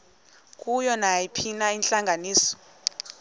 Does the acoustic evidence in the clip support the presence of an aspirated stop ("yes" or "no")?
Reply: yes